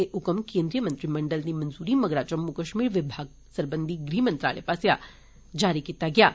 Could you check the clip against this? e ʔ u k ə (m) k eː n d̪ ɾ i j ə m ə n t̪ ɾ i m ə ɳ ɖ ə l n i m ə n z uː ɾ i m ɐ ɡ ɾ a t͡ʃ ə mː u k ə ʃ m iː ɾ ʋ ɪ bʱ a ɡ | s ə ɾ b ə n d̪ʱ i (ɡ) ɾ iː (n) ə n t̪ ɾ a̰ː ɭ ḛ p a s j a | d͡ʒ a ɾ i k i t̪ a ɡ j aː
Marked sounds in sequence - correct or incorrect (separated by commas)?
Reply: correct, correct, incorrect